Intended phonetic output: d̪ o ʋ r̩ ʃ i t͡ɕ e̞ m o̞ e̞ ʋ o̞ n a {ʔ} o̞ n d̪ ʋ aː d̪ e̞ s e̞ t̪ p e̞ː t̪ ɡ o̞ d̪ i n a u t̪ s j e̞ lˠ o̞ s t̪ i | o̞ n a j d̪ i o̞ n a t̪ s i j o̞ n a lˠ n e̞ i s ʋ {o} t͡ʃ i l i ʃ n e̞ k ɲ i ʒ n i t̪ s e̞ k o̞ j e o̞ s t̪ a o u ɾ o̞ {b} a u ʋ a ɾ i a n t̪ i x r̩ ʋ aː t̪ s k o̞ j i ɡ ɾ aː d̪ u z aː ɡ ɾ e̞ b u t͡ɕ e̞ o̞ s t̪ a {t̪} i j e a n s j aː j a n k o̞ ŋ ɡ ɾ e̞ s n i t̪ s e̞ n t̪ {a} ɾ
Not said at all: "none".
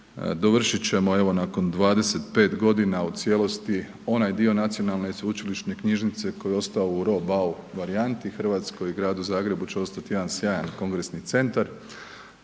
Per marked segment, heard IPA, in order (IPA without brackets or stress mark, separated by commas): k, u, b, t̪, a